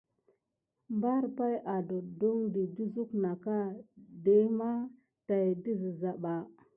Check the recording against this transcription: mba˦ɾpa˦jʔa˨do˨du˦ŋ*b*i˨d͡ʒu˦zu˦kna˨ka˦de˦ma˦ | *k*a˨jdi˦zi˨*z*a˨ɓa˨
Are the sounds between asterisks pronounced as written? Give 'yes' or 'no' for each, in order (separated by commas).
no, no, yes